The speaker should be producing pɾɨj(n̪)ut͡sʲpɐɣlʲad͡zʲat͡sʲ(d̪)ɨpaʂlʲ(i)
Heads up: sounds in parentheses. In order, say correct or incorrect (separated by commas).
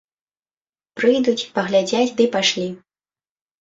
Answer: incorrect, correct, correct